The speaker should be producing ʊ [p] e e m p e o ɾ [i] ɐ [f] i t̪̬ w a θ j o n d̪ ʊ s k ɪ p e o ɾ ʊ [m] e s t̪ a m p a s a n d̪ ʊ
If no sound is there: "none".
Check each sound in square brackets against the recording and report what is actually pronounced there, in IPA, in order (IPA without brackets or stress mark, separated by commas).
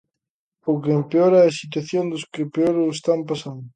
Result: k, ɛ, s, none